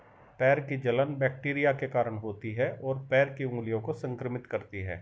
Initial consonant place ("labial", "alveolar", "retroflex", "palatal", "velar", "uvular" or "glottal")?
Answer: labial